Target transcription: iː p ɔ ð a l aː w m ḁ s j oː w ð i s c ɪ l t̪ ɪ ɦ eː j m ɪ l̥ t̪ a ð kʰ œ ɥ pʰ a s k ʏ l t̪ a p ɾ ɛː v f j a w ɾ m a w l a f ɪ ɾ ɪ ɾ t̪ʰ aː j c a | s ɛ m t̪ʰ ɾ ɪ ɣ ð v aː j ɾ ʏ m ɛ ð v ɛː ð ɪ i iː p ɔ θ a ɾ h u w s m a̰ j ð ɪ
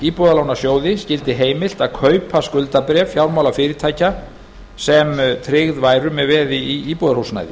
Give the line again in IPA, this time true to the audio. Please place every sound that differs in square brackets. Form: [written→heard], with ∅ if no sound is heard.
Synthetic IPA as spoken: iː p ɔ ð a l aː w [m→n] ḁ s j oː w ð [i→ɪ] s c ɪ l t̪ ɪ ɦ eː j m ɪ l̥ t̪ a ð kʰ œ ɥ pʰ a s k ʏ l t̪ a p ɾ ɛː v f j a w ɾ m a w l a f ɪ ɾ ɪ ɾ t̪ʰ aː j c a | s ɛ m t̪ʰ ɾ ɪ ɣ ð v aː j ɾ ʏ m ɛ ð v ɛː ð ɪ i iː p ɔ [θ→ð] a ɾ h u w s [m→n] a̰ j ð ɪ